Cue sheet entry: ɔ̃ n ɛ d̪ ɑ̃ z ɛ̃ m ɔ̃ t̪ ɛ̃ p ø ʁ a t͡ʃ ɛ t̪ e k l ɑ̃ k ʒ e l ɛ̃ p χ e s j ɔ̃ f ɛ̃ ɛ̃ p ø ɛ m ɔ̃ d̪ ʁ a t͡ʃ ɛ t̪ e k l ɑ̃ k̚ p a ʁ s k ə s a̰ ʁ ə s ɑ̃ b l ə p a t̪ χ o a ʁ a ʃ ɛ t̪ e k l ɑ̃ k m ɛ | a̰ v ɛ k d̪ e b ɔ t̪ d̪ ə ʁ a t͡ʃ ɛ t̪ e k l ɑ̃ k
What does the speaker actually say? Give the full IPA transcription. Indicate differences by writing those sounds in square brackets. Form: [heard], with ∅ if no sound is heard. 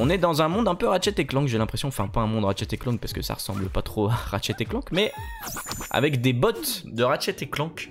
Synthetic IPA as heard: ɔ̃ n ɛ d̪ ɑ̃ z ɛ̃ m ɔ̃ [d̪] ɛ̃ p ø ʁ a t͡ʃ ɛ t̪ e k l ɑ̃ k ʒ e l ɛ̃ p χ e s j ɔ̃ f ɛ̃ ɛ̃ p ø [ɛ̃] m ɔ̃ d̪ ʁ a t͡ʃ ɛ t̪ e k l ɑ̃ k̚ p a ʁ s k ə s a̰ ʁ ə s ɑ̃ b l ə p a t̪ χ o a ʁ a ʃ ɛ t̪ e k l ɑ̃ k m ɛ | a̰ v ɛ k d̪ e b ɔ t̪ d̪ ə ʁ a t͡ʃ ɛ t̪ e k l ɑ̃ k